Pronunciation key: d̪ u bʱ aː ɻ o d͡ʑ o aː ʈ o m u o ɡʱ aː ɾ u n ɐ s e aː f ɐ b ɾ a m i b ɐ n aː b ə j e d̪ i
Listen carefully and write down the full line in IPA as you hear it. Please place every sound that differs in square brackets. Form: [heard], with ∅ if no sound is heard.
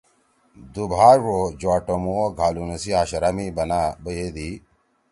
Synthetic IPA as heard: d̪ u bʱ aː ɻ o d͡ʑ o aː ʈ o m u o ɡʱ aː [l] u n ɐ s [i] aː [ɕ] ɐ [∅] ɾ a m i b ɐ n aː b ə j e d̪ i